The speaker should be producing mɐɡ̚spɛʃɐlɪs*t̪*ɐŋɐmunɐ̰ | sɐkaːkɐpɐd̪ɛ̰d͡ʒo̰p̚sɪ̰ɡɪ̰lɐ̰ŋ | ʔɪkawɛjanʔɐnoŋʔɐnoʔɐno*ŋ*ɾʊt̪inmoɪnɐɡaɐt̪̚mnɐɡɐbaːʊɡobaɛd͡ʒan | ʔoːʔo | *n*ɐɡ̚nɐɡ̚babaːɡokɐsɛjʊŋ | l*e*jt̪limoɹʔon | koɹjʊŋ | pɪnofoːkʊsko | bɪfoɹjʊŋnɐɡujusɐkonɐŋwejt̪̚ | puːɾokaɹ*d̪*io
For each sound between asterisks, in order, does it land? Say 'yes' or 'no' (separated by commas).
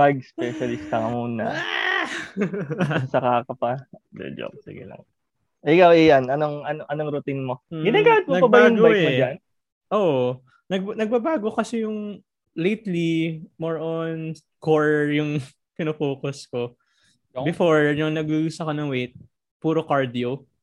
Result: yes, yes, yes, yes, yes